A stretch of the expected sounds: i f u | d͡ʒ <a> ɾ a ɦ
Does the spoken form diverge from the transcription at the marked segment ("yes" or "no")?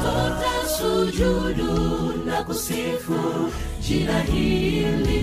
yes